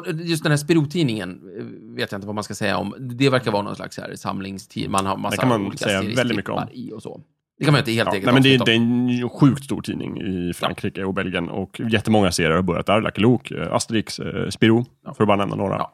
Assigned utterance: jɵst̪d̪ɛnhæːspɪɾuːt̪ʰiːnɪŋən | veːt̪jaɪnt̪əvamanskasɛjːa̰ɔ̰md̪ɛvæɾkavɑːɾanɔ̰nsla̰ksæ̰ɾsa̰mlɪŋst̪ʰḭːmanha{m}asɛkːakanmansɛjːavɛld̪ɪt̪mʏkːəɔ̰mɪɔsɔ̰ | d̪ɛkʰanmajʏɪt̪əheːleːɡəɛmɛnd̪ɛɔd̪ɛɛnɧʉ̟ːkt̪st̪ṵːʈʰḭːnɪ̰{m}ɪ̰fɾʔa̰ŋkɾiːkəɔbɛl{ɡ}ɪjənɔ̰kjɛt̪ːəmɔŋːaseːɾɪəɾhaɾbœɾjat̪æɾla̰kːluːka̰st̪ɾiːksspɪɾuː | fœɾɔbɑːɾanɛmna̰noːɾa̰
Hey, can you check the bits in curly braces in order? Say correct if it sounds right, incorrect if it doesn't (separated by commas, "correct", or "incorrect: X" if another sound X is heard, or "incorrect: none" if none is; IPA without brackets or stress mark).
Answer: correct, incorrect: ŋ, correct